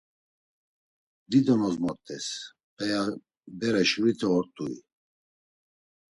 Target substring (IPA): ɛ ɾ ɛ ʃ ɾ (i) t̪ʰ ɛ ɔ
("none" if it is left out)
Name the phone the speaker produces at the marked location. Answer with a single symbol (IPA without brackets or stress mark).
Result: i